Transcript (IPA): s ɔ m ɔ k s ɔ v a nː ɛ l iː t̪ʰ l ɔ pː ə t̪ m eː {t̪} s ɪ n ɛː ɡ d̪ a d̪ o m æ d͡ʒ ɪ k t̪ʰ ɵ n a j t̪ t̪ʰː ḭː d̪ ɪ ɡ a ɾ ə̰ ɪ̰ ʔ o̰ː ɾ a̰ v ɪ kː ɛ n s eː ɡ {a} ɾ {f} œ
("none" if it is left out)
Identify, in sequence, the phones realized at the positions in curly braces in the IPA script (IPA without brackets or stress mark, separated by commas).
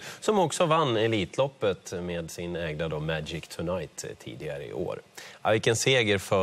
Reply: d̪, ə, f